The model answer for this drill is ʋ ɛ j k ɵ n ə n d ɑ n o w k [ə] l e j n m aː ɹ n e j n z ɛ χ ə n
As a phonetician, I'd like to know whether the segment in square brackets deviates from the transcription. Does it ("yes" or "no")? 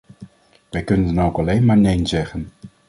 yes